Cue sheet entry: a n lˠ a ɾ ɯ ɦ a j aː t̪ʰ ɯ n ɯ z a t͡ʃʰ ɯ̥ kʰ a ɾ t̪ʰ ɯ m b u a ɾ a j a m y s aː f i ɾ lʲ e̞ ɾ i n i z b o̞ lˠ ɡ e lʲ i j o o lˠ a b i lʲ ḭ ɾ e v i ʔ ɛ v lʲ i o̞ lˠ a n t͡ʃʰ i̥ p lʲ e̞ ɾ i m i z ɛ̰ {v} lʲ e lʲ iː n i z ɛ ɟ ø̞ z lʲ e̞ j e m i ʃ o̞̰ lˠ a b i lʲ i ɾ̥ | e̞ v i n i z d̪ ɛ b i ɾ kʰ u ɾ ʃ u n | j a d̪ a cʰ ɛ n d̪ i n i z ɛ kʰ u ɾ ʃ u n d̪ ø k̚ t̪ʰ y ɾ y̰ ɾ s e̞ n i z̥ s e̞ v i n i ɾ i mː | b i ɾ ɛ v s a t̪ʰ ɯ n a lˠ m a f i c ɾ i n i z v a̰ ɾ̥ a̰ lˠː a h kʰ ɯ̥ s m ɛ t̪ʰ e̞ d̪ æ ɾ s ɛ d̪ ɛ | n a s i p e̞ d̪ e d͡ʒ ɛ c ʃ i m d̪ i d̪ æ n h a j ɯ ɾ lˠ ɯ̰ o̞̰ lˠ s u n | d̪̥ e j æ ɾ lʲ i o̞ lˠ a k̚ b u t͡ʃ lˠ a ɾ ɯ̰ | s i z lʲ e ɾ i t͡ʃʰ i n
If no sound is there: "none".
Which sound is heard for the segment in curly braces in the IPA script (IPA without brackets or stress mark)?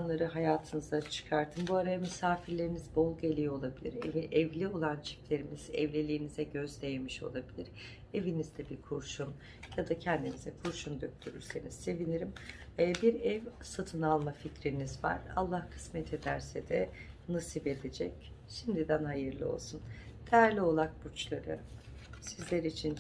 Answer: v